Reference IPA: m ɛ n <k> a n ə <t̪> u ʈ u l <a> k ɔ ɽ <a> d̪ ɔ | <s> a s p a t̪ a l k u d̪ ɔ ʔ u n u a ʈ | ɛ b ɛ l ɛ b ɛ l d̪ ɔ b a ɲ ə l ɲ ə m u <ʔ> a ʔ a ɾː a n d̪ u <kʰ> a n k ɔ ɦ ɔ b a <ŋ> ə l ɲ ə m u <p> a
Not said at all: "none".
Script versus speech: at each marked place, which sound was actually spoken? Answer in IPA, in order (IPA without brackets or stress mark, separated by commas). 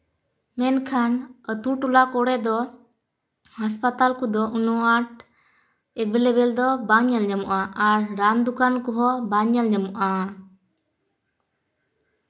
kʰ, t̪, a, ɛ, h, ʔ, k, ɲ, ʔ